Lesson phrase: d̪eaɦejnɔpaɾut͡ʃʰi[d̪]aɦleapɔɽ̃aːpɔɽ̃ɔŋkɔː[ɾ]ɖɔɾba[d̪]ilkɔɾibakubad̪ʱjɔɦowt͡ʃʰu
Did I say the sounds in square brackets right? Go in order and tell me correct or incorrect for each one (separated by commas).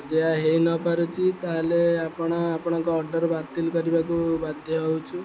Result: incorrect, correct, incorrect